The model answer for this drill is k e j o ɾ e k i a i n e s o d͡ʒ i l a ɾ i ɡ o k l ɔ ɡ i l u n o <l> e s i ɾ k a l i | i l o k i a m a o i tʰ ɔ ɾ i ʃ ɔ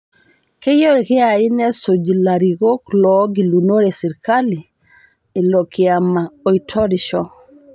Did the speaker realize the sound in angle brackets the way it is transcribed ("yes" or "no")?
no